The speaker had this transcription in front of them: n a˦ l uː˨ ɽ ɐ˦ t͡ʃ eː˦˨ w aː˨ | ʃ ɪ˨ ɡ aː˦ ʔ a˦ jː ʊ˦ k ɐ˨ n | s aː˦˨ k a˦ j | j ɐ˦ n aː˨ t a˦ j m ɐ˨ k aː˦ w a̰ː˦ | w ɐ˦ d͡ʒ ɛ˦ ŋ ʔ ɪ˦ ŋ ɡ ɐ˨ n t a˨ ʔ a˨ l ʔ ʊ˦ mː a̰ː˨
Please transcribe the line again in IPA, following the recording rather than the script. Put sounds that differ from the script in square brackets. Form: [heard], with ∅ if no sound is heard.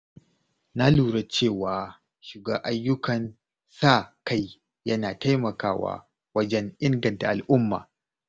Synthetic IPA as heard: n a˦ l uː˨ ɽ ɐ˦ t͡ʃ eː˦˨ w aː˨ | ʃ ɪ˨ ɡ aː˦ ʔ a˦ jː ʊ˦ k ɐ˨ n | s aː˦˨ k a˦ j | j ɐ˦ n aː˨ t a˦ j m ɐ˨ k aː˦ w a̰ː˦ | w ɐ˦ d͡ʒ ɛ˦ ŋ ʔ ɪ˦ ŋ ɡ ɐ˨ n t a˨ ʔ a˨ l ʔ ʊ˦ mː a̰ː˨

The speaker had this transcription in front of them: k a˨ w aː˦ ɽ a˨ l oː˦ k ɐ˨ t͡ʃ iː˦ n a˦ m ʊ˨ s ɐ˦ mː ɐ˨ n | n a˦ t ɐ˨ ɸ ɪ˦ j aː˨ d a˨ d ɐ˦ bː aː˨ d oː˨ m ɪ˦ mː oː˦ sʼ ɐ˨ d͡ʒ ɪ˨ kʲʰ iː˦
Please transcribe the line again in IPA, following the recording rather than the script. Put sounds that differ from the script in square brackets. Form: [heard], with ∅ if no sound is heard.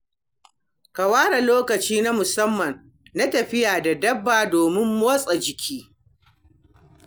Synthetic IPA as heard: k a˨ w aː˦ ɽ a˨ l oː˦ k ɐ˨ t͡ʃ iː˦ n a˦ m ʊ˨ s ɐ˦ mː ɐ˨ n | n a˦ t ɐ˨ ɸ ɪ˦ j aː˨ d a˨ d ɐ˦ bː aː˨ d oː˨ m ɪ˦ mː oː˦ sʼ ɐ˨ d͡ʒ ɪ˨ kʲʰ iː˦

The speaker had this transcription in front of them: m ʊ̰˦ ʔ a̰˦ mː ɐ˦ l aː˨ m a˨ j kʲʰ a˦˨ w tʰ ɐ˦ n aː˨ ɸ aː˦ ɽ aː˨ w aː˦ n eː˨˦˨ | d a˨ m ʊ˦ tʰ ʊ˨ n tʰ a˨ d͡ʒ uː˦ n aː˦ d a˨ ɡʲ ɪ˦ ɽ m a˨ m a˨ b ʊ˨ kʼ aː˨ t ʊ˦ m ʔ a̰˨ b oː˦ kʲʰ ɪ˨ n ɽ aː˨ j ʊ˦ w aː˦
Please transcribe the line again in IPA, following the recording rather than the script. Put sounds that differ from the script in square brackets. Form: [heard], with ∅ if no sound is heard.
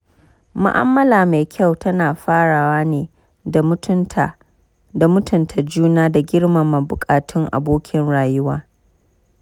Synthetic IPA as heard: m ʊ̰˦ ʔ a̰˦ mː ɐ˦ l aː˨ m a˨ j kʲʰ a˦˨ w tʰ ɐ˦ n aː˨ ɸ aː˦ ɽ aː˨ w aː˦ n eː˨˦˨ | d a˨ m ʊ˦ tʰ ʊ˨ n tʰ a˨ d͡ʒ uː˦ n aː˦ d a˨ ɡʲ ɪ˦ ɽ m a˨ m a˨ b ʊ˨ kʼ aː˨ t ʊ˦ [ŋ] ʔ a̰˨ b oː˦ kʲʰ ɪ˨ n ɽ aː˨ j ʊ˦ w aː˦

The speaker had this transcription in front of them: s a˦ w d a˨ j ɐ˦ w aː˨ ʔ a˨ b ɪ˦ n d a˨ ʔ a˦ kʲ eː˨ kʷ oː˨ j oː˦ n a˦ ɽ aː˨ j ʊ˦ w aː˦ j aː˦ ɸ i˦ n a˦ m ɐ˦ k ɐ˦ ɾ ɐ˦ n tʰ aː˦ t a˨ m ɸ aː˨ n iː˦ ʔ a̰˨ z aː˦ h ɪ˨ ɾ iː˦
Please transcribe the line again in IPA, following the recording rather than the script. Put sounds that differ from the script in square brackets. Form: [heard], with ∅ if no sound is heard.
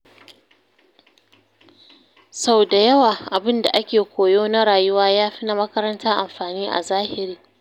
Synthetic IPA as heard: s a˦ w d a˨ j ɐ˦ w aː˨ ʔ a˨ b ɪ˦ n d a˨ ʔ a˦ kʲ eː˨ kʷ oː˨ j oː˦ n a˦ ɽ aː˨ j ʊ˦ w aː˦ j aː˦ ɸ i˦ n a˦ m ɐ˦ k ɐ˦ ɾ ɐ˦ n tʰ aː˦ [ʔ] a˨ m ɸ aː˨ n iː˦ ʔ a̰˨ z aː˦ h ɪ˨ ɾ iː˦

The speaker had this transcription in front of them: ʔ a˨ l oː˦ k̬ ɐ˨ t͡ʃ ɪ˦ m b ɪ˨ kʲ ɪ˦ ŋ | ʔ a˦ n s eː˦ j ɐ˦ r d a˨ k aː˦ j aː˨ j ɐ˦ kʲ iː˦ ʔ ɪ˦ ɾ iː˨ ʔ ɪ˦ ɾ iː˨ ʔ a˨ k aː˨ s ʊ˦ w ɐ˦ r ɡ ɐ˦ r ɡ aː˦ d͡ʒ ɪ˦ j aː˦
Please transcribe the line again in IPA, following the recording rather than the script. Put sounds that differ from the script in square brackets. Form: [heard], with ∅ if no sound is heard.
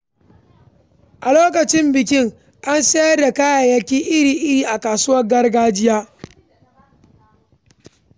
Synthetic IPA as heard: ʔ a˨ l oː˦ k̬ ɐ˨ t͡ʃ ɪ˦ m b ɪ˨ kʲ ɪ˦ ŋ | ʔ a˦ n s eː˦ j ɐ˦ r d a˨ k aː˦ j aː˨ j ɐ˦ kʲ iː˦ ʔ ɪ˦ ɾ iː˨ ʔ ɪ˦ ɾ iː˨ ʔ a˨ k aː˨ s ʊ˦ w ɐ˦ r ɡ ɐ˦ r ɡ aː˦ d͡ʒ ɪ˦ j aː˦

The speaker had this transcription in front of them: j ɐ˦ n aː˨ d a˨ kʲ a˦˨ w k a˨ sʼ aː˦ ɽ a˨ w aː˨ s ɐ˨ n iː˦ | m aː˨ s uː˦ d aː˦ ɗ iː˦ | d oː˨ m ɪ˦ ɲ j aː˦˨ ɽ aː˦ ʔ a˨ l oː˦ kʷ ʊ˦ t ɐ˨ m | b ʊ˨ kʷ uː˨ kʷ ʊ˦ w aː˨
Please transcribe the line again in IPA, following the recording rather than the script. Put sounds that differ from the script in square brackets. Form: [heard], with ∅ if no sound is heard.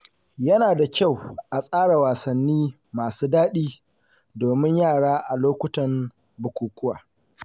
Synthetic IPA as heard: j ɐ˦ n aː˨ d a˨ kʲ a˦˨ w [ʔ] a˨ sʼ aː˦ ɽ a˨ w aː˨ s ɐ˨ [nː] iː˦ | m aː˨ s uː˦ d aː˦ ɗ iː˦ | d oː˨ m ɪ˦ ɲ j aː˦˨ ɽ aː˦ ʔ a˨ l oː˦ kʷ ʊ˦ t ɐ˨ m | b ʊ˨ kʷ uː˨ kʷ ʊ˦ w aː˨

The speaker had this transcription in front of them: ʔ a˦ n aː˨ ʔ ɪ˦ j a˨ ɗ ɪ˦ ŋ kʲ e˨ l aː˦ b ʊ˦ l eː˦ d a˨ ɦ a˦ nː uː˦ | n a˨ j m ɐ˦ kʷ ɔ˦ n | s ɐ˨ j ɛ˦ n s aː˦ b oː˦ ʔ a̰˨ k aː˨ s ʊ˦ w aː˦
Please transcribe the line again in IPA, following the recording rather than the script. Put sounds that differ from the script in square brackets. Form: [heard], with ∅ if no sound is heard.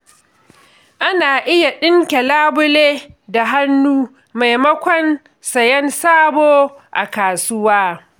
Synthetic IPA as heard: ʔ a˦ n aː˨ ʔ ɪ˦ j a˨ ɗ ɪ˦ ŋ kʲ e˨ l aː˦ b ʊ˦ l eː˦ d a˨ ɦ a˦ nː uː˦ | [m] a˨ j m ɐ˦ kʷ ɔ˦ n | s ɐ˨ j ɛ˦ n s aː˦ b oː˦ ʔ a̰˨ k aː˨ s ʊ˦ w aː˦

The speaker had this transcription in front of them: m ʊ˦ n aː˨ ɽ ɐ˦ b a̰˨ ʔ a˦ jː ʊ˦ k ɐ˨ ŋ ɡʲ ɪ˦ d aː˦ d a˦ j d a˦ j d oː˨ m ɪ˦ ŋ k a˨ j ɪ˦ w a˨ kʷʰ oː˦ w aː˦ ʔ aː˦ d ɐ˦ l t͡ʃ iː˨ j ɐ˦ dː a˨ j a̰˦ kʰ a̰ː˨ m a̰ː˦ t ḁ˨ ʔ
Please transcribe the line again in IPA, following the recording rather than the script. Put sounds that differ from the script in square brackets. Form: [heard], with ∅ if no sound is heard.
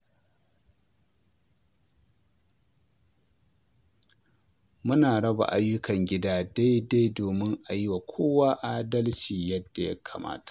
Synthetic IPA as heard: m ʊ˦ n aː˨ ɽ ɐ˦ b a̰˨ ʔ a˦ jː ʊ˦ k ɐ˨ ŋ ɡʲ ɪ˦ d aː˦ d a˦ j d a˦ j d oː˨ m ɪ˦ ŋ [ʔ] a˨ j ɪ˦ w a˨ kʷʰ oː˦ w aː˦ ʔ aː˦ d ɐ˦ l t͡ʃ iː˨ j ɐ˦ dː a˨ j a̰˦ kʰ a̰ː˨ m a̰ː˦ t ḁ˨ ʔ

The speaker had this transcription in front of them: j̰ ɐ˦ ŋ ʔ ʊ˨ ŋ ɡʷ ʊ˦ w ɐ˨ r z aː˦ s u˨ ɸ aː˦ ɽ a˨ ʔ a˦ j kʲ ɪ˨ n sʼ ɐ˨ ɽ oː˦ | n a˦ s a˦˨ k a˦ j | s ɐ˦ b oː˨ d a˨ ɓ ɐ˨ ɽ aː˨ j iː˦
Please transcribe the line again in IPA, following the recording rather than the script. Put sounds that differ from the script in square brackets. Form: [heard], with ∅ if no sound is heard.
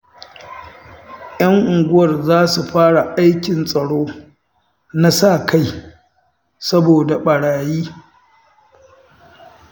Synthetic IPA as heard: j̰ ɐ˦ ŋ ʔ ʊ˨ ŋ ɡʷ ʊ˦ w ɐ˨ r z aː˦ s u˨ ɸ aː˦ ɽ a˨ ʔ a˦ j kʲ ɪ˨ n sʼ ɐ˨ ɽ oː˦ | n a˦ s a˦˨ k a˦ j | s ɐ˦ b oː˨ d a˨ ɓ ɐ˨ ɽ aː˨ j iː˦

